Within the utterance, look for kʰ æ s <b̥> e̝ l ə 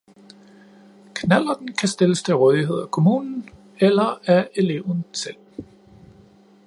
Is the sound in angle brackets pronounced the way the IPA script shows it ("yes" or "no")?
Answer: no